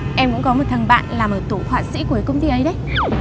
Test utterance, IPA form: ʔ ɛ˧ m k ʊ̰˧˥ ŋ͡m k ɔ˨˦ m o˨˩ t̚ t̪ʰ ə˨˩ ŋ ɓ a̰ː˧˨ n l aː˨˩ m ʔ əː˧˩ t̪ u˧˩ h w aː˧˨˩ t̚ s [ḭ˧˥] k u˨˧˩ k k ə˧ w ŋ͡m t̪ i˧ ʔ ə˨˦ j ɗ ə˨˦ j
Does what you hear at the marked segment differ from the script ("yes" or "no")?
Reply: no